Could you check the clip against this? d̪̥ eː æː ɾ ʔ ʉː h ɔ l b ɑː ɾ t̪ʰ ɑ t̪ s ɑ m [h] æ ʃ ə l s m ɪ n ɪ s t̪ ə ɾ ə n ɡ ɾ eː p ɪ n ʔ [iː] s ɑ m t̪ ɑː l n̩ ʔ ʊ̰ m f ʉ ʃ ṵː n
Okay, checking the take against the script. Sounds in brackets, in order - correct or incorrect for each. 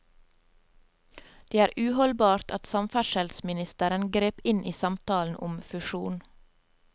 incorrect, correct

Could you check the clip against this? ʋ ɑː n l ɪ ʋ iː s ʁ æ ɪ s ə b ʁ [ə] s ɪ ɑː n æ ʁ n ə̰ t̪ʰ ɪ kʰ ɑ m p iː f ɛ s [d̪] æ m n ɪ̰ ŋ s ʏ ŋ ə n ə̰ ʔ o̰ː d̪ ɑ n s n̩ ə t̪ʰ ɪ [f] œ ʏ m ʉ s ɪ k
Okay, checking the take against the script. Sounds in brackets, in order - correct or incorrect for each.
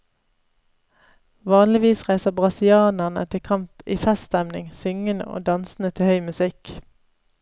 incorrect, incorrect, incorrect

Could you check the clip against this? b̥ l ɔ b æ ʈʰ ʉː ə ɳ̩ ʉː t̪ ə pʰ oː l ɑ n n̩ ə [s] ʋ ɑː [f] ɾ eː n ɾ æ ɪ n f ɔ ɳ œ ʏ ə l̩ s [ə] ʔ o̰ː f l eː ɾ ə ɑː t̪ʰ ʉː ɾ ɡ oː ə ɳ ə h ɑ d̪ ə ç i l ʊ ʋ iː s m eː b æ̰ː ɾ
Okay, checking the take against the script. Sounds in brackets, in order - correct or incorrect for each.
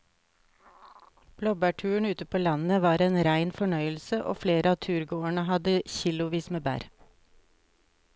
incorrect, incorrect, correct

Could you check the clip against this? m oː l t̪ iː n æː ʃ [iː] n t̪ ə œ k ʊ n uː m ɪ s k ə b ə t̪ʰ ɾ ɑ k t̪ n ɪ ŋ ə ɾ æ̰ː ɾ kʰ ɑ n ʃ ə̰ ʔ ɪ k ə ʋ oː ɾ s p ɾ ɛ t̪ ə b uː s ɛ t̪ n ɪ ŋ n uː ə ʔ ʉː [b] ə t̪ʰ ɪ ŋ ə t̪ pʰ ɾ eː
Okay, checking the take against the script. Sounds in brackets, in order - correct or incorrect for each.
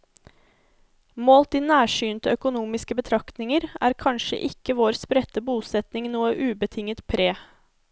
incorrect, correct

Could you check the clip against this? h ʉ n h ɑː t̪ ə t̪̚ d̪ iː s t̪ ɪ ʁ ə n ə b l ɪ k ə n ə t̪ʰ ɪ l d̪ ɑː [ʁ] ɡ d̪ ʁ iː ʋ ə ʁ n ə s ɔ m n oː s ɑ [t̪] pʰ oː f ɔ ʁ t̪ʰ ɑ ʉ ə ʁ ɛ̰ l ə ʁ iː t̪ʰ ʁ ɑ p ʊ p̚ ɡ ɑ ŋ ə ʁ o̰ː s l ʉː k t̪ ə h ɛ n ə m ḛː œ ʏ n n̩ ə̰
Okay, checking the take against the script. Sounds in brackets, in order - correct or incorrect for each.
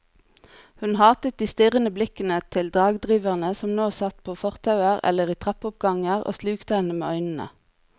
incorrect, correct

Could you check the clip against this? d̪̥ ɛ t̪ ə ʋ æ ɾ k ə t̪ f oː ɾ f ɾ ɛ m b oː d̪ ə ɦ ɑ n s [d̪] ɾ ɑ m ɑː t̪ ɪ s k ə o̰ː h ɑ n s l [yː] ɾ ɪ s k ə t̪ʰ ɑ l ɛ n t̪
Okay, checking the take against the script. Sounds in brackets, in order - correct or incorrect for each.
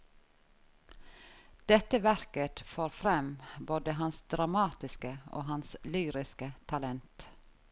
correct, correct

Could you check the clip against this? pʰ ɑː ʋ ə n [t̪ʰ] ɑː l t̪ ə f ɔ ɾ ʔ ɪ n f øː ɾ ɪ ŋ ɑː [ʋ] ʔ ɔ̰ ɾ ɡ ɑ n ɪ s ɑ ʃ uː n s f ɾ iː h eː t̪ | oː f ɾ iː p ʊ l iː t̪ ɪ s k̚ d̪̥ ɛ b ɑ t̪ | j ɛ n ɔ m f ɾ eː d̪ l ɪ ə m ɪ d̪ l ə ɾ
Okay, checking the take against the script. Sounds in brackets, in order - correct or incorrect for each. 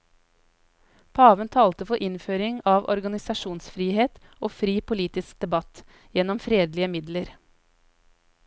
correct, correct

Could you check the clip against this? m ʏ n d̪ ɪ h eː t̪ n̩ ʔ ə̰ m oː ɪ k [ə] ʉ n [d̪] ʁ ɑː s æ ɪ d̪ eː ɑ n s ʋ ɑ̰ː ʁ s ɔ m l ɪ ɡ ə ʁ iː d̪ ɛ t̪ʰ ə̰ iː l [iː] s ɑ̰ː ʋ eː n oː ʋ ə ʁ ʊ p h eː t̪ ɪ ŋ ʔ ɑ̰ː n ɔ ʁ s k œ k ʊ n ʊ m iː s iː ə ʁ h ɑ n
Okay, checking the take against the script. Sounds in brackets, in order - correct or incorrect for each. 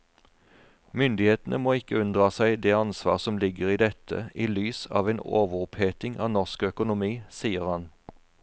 correct, correct, incorrect

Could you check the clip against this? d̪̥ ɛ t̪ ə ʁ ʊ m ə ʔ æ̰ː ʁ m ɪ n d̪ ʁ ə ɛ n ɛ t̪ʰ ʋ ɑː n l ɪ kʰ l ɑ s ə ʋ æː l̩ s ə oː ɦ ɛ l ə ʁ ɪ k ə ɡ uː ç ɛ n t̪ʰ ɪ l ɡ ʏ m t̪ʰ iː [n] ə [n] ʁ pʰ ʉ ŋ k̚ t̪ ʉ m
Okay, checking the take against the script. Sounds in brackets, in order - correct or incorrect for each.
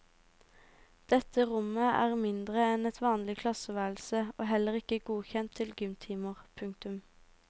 incorrect, incorrect

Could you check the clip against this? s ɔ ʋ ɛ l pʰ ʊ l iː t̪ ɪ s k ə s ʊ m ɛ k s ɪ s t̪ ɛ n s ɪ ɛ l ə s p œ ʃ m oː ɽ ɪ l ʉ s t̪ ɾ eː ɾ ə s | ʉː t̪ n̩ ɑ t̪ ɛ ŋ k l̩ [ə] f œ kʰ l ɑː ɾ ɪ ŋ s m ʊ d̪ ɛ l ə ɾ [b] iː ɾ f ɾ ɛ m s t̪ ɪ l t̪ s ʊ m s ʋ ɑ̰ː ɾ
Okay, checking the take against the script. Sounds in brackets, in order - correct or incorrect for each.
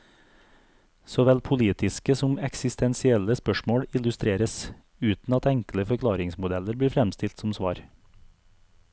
correct, correct

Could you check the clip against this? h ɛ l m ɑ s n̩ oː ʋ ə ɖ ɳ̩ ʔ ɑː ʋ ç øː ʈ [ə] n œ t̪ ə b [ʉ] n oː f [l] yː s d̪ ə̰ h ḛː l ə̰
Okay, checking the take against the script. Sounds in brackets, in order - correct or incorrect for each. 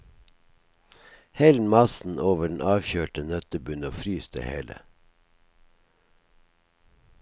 correct, correct, incorrect

